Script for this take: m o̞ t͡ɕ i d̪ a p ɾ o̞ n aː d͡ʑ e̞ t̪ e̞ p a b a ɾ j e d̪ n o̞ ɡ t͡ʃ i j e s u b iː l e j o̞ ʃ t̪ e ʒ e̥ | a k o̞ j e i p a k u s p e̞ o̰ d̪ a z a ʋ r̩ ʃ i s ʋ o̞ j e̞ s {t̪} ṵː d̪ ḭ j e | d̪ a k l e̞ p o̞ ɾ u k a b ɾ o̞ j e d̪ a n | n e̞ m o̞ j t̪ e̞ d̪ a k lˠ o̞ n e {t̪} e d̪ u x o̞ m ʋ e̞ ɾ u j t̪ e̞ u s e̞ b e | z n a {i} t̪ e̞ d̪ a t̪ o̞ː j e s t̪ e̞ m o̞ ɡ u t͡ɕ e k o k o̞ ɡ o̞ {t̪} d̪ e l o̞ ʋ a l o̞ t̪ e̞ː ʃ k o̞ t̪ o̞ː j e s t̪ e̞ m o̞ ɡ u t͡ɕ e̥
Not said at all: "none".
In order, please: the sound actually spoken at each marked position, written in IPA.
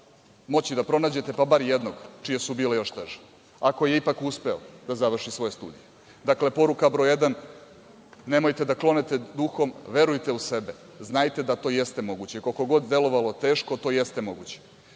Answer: t̪, t̪, j, d̪

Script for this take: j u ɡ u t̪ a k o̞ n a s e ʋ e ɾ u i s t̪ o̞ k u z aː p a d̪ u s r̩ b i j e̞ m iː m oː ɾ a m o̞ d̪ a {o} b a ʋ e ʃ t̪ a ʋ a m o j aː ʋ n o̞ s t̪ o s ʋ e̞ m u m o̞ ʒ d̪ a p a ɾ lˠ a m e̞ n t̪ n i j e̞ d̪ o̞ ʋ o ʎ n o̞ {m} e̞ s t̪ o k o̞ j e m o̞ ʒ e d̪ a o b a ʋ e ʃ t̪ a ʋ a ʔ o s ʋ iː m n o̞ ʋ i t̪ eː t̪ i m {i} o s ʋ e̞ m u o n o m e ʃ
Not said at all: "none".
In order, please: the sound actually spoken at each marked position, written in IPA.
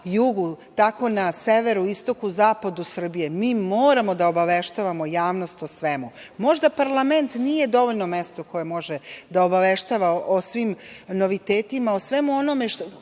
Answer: o, m, a

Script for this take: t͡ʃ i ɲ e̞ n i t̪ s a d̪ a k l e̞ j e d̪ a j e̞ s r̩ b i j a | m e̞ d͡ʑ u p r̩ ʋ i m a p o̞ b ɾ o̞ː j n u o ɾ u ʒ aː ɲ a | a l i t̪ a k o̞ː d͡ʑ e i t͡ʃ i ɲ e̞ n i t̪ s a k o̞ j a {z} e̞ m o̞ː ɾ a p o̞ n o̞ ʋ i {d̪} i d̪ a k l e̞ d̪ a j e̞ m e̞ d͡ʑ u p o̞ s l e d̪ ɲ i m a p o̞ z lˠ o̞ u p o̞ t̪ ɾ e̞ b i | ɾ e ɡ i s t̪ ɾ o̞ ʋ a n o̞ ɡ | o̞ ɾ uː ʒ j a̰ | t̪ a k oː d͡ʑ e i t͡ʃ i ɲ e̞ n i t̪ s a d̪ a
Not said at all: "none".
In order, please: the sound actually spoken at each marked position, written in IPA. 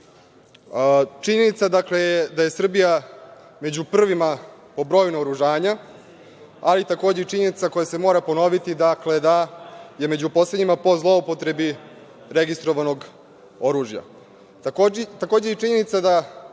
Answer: s, t̪

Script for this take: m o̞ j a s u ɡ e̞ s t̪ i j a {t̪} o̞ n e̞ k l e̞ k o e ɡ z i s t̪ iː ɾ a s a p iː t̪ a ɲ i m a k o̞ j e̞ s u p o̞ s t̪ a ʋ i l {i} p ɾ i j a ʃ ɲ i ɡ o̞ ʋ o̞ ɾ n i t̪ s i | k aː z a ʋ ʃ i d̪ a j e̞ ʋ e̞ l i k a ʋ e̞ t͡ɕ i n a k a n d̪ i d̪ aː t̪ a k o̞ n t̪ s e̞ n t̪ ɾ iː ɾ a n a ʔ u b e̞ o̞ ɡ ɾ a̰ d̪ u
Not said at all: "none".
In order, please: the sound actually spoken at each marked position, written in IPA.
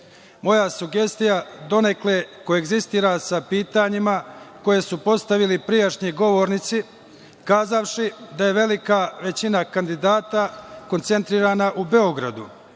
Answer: d̪, i

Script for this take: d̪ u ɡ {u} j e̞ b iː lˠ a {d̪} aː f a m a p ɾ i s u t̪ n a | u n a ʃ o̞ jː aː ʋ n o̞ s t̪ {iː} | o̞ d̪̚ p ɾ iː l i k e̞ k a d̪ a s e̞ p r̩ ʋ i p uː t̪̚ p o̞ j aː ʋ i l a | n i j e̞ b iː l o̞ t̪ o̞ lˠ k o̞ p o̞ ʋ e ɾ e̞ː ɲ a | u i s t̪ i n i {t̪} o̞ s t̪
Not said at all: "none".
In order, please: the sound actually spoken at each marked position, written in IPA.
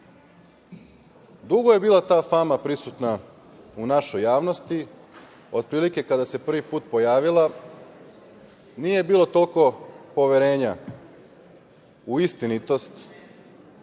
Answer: o, t̪, i, t̪

